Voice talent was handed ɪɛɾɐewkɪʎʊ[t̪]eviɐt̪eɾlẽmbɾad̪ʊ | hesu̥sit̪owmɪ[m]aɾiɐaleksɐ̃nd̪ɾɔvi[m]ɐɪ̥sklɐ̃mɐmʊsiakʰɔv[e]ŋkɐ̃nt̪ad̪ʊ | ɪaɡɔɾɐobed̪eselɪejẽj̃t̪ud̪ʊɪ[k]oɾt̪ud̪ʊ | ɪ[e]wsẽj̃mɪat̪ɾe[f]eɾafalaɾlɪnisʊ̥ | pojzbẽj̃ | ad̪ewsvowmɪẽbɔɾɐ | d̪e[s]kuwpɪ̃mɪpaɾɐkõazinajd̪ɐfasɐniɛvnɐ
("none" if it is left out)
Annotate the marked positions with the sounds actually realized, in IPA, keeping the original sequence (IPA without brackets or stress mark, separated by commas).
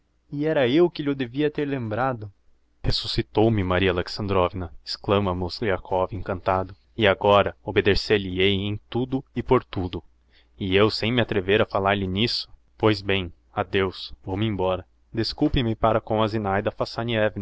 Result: d̪, m, n, ẽ, p, e, v, s